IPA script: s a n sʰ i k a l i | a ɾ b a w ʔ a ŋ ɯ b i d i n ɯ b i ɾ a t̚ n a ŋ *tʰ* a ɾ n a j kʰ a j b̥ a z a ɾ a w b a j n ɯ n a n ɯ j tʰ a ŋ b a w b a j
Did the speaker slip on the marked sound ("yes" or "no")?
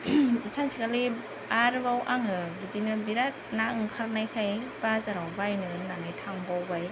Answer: yes